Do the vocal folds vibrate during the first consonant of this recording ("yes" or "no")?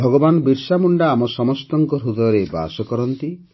yes